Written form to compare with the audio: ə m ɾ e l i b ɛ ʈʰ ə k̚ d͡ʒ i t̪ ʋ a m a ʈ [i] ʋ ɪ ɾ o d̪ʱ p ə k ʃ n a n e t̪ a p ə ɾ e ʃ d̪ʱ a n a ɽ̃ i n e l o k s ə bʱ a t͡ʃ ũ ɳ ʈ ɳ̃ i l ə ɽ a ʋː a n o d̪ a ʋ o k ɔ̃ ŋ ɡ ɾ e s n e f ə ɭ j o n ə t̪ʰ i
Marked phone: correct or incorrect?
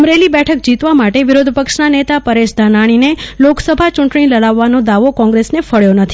incorrect